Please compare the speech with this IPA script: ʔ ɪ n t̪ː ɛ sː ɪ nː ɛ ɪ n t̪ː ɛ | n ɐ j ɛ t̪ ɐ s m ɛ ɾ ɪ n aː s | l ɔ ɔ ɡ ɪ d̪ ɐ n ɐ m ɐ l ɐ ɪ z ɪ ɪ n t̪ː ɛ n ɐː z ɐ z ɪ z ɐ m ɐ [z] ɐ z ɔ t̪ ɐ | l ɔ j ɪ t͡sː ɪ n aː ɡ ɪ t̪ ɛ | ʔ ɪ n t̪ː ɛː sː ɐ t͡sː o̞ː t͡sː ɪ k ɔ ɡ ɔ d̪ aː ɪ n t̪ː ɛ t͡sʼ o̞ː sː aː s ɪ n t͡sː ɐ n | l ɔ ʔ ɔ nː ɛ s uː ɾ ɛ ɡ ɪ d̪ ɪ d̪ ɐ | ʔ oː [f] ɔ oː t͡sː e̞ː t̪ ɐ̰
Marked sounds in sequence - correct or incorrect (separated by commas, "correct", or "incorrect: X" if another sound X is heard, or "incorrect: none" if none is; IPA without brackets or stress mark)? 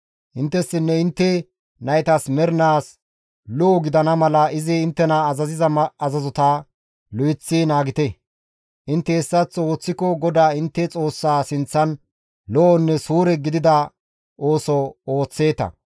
correct, incorrect: s